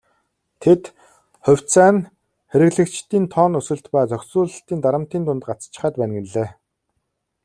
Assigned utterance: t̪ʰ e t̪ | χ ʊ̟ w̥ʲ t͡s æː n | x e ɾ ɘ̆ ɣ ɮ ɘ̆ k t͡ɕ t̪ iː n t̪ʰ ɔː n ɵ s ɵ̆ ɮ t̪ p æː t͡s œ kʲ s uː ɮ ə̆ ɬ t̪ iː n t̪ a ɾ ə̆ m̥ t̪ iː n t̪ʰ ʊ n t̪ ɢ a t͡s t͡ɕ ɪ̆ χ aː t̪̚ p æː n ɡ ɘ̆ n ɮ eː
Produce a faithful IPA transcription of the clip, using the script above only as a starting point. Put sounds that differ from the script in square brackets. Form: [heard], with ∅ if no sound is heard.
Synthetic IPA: t̪ʰ e t̪ | χ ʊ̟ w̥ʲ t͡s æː n | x e ɾ ɘ̆ ɣ ɮ ɘ̆ k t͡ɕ t̪ iː n t̪ʰ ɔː n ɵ s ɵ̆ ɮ t̪ p æː t͡s œ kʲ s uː ɮ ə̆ ɬ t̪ iː n t̪ a ɾ ə̆ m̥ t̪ iː n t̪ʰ ʊ n t̪ ɢ a t͡s t͡ɕ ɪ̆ χ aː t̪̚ p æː n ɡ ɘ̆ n ɮ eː